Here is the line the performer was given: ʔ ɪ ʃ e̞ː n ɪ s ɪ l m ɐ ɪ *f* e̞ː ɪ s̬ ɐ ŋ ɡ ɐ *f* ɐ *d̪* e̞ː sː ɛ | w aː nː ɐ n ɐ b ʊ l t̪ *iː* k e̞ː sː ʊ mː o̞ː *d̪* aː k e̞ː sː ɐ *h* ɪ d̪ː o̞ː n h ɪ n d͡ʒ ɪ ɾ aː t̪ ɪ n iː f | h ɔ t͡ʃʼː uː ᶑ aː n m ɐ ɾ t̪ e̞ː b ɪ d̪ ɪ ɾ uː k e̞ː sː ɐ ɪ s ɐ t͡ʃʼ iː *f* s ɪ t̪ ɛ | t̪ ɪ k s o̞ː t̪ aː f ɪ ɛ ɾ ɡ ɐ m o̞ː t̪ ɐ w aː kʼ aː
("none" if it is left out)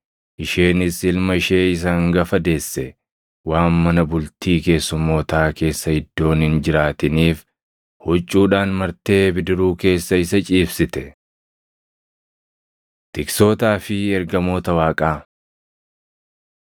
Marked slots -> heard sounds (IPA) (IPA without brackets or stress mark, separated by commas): ʃ, f, d̪, iː, t̪, h, f